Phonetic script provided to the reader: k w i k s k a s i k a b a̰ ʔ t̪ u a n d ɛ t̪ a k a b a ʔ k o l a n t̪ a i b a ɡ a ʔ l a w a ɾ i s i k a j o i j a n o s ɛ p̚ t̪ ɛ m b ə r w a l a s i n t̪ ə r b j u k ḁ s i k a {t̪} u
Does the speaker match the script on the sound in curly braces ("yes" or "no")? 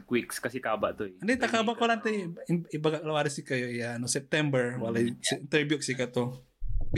yes